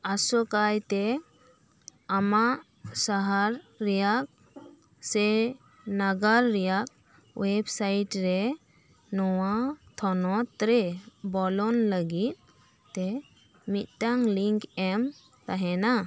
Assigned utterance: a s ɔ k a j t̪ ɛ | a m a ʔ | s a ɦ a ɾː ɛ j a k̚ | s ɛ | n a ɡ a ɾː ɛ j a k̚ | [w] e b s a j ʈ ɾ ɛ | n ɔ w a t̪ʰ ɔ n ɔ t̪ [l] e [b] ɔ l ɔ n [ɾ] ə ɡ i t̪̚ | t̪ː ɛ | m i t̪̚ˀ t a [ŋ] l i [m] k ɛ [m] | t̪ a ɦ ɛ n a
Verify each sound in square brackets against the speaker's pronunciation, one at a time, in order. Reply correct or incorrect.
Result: correct, incorrect, correct, incorrect, correct, incorrect, correct

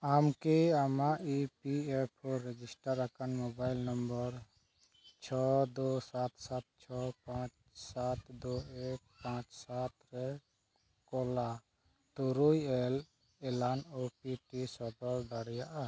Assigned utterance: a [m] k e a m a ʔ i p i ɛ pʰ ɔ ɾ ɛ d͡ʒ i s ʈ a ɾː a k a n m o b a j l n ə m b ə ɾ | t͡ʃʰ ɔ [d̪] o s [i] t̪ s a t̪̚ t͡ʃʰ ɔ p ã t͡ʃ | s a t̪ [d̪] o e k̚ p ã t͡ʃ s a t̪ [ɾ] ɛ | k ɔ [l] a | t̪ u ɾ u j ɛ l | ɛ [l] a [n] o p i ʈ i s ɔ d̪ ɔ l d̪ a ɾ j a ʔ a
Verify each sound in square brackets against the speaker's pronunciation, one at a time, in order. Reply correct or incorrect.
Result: correct, correct, incorrect, correct, correct, correct, correct, correct

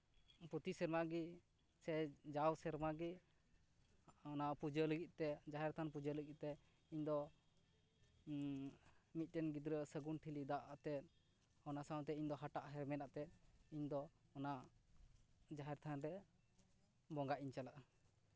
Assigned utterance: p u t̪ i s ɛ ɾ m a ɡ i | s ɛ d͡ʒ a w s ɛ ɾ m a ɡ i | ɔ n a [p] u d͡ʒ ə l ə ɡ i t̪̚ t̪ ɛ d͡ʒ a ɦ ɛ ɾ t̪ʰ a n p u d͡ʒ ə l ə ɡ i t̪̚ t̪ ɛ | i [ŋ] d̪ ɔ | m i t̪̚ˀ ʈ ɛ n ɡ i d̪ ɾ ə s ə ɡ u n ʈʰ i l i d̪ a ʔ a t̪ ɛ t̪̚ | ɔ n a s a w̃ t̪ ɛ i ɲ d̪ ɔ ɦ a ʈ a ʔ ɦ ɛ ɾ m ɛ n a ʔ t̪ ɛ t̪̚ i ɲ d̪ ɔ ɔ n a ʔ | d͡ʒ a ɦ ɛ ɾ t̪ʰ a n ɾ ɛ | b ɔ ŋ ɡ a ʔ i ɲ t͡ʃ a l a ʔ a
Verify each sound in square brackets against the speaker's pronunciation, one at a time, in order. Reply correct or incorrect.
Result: correct, incorrect

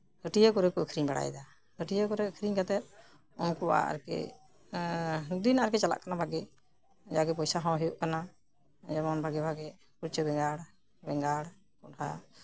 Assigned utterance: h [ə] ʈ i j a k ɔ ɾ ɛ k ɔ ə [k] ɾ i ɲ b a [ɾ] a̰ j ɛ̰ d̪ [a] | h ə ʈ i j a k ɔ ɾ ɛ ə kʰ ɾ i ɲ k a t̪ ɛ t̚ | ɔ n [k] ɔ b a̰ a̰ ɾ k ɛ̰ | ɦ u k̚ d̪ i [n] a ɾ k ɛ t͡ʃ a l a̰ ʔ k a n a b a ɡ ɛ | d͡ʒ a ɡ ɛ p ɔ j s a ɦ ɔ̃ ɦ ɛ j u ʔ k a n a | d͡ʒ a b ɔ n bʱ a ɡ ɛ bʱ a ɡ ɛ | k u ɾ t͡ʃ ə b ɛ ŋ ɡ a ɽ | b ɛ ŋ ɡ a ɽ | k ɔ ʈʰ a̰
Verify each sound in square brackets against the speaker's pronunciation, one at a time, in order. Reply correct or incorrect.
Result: correct, incorrect, incorrect, correct, correct, correct

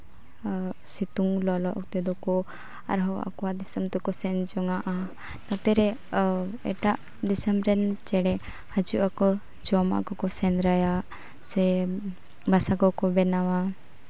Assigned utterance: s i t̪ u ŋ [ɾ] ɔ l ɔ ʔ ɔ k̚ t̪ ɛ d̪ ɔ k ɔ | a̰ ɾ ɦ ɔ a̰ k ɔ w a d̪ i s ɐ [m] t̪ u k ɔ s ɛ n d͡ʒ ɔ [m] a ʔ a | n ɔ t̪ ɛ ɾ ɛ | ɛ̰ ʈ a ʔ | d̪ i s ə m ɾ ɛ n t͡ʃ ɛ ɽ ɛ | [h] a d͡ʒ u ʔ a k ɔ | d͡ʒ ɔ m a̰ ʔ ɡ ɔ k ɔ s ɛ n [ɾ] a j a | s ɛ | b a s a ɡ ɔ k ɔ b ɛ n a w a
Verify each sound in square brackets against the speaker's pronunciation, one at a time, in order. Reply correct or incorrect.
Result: incorrect, correct, incorrect, correct, correct

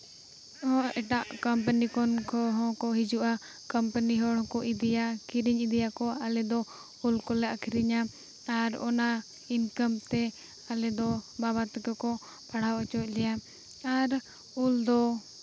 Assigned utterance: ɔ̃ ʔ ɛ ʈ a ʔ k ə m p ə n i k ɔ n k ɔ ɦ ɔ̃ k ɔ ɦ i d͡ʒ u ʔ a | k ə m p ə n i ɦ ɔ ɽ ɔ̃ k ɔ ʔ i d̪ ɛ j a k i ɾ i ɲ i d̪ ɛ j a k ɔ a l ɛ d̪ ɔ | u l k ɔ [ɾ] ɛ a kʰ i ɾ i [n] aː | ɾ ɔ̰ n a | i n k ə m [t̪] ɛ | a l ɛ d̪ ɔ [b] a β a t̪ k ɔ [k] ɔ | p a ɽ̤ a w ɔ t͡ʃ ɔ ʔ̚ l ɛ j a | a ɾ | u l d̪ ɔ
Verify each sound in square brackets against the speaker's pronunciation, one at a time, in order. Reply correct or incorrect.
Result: incorrect, incorrect, correct, correct, correct

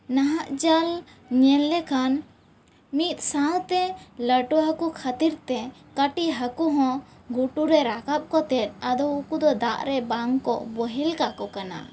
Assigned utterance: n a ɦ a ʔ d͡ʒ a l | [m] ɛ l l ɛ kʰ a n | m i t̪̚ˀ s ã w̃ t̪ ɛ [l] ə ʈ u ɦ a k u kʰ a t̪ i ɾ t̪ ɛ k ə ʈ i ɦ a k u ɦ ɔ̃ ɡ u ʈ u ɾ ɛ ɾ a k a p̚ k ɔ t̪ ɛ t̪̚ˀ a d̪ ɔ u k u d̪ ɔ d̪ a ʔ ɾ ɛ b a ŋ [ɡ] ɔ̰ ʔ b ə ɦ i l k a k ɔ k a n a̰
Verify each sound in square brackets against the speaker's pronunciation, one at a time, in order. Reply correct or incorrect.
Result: incorrect, correct, incorrect

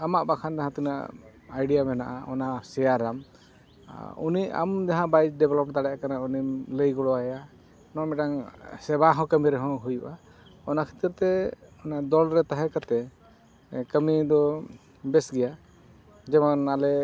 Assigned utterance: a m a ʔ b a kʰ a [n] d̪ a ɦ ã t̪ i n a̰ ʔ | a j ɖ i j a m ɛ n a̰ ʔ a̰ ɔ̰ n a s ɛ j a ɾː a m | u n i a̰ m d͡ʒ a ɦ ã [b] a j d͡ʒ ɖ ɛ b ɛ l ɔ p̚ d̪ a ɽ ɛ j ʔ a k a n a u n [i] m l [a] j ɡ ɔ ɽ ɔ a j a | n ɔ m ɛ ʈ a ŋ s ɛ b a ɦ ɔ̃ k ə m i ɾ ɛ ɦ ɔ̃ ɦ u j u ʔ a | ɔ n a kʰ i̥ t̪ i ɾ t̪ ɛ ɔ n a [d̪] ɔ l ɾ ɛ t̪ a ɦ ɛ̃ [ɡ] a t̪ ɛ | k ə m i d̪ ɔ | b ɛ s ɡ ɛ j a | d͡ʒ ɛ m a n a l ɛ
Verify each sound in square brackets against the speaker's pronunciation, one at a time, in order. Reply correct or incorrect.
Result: correct, correct, correct, incorrect, correct, incorrect

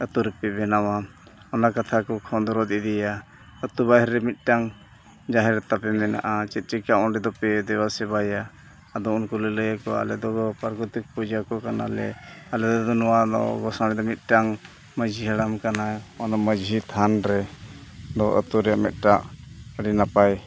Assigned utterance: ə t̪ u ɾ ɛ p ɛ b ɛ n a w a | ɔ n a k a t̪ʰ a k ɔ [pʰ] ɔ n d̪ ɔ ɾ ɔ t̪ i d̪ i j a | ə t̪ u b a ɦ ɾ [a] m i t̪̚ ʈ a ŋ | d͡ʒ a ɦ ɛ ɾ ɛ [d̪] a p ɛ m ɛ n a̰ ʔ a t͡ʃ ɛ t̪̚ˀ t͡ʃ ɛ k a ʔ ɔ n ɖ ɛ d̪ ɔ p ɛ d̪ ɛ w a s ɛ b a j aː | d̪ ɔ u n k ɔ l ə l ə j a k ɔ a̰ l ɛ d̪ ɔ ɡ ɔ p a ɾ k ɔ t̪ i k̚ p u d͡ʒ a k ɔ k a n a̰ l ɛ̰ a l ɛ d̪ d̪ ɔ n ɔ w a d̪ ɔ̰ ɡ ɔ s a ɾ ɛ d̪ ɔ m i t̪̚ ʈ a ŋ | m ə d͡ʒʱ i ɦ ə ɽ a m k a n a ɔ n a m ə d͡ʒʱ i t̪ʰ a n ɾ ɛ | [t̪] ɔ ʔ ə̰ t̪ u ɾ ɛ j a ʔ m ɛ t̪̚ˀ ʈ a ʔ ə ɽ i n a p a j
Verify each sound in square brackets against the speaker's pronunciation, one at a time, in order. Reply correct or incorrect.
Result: incorrect, incorrect, incorrect, incorrect

